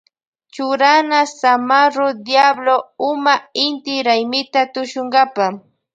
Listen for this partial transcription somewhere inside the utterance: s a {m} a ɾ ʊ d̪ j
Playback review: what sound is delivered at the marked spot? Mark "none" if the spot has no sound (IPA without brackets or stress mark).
m